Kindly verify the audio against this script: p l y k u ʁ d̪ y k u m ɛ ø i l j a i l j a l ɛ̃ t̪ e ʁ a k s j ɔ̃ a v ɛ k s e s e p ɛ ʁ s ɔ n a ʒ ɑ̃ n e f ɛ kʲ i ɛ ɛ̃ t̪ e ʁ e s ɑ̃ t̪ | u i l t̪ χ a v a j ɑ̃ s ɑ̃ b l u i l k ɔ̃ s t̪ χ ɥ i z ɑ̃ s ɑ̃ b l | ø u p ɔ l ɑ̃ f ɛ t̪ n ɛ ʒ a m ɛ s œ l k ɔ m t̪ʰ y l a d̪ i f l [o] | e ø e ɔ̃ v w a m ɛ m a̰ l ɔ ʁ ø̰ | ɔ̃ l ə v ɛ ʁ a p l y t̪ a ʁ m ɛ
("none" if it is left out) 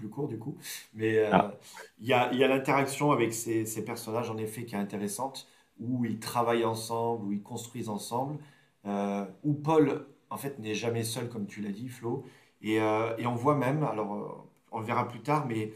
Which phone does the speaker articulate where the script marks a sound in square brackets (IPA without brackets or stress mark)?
o